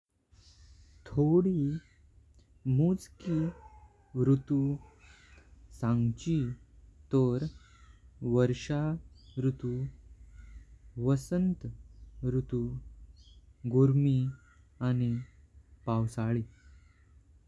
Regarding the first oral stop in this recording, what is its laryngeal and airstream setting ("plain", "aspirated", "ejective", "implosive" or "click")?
aspirated